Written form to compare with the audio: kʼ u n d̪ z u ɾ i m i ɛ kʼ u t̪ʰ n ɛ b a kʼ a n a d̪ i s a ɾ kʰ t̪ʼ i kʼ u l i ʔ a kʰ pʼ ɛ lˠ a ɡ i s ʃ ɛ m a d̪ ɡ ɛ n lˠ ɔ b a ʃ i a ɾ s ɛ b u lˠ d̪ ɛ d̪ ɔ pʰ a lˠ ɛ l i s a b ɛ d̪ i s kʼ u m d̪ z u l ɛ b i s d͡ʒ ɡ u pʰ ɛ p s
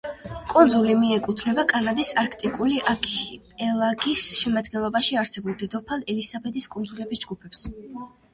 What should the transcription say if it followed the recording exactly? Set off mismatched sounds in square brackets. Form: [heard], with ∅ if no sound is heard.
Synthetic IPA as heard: kʼ u n d̪ z u [l] i m i ɛ kʼ u t̪ʰ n ɛ b a kʼ a n a d̪ i s a ɾ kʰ t̪ʼ i kʼ u l i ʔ a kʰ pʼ ɛ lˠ a ɡ i s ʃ ɛ m a d̪ ɡ ɛ n lˠ ɔ b a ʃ i a ɾ s ɛ b u lˠ d̪ ɛ d̪ ɔ pʰ a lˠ ɛ l i s a b ɛ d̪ i s kʼ u [n] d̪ z u l ɛ b i s d͡ʒ ɡ u pʰ ɛ p s